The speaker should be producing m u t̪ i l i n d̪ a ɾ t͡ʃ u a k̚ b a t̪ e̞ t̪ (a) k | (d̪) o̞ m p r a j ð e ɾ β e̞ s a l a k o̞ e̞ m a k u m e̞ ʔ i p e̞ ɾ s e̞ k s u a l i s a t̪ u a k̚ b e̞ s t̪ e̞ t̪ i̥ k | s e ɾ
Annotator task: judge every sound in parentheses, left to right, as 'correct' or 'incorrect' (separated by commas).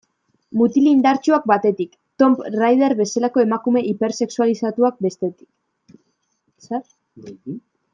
incorrect, incorrect